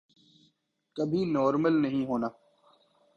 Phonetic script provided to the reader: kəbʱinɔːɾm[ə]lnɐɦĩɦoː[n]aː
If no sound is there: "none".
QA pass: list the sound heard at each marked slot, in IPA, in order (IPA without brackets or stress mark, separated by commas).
ə, n